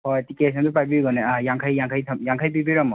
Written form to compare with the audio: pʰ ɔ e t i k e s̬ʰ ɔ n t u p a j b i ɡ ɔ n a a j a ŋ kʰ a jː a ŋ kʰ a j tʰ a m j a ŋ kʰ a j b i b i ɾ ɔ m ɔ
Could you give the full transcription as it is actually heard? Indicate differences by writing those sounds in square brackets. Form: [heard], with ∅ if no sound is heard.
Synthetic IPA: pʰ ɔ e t i k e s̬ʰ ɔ n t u p a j b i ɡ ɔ n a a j a ŋ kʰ a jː a ŋ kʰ a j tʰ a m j a ŋ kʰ a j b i b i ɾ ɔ m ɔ